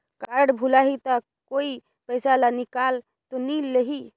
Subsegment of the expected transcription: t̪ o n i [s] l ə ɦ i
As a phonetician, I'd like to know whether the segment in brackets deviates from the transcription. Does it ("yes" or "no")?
yes